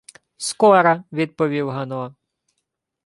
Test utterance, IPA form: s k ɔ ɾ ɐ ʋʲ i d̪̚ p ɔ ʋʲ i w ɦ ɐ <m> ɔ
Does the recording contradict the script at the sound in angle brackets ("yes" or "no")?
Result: yes